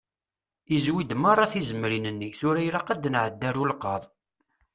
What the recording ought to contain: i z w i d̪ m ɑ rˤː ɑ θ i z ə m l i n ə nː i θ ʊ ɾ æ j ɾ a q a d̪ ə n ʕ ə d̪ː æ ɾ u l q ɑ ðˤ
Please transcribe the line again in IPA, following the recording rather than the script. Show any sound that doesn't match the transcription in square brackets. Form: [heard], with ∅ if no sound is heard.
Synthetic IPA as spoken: i z w i d̪ m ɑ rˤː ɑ θ i z ə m [ɾ] i n ə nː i θ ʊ ɾ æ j ɾ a q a d̪ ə n ʕ ə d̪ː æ ɾ u l q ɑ ðˤ